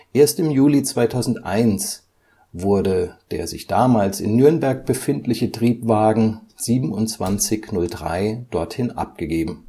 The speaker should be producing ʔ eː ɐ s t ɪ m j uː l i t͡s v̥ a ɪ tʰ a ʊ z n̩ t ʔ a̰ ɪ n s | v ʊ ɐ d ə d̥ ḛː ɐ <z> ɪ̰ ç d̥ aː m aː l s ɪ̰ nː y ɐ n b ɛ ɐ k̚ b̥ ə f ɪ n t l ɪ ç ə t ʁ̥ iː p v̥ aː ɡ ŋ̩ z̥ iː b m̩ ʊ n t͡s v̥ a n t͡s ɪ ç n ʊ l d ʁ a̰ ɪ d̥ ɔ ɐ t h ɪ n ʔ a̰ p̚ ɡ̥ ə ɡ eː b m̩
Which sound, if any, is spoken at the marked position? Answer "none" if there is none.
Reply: z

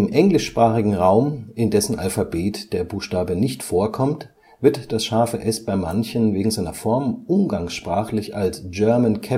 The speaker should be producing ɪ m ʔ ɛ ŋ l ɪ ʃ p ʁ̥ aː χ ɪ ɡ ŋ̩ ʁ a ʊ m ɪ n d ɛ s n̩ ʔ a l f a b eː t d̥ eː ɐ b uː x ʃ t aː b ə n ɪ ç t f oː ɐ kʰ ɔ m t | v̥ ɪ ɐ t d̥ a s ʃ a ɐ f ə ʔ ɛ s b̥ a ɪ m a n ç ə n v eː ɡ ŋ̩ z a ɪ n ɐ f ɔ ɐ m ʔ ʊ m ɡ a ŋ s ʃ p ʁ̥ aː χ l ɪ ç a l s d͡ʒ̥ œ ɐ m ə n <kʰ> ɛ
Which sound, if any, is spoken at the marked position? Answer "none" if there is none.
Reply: kʰ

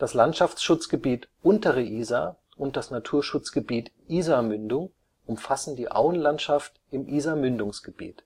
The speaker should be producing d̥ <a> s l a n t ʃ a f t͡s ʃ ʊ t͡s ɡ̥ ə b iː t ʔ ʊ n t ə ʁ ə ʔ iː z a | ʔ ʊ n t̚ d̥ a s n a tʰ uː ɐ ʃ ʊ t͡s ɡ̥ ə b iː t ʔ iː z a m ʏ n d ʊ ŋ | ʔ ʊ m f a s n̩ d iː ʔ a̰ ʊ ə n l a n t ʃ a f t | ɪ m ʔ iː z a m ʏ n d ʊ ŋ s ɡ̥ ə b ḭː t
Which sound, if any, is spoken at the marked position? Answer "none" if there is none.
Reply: a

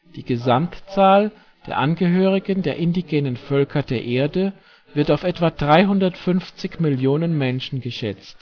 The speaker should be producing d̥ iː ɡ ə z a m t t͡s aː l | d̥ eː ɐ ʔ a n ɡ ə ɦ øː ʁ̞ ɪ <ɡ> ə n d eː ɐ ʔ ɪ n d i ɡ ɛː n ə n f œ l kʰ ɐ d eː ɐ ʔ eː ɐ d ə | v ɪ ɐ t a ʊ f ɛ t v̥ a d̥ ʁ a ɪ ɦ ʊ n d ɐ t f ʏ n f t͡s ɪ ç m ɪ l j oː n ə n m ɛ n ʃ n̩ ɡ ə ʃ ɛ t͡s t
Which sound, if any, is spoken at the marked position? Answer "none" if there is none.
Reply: ɡ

